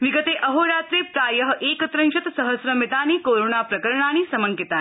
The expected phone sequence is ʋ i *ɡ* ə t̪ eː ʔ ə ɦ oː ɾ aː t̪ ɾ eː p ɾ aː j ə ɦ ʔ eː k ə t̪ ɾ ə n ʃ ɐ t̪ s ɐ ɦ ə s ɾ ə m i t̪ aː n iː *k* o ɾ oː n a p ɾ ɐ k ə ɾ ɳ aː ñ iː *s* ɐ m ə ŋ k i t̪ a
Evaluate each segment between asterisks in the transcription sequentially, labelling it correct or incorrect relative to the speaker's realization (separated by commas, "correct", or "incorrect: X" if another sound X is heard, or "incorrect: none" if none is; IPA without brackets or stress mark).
correct, correct, correct